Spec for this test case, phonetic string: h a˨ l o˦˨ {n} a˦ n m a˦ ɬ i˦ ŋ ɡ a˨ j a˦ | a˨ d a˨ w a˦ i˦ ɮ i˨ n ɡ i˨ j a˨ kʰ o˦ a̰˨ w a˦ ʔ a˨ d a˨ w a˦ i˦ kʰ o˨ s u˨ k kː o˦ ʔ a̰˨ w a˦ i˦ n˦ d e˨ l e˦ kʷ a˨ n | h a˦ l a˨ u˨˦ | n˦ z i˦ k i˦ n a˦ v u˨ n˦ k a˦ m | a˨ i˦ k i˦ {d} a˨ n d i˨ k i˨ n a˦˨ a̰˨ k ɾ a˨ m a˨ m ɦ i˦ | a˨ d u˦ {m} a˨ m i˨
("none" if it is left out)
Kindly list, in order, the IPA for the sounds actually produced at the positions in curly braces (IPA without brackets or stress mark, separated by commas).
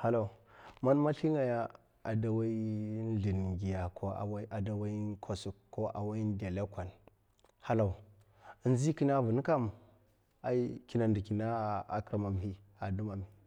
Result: m, n, m